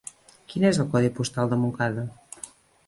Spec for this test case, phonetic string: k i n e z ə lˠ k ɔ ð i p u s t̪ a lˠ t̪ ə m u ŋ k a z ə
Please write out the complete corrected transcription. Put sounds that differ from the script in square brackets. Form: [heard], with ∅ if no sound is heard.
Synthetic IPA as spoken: k i n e z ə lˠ k ɔ ð i p u s t̪ a lˠ [d̪] ə m u ŋ k a [ð] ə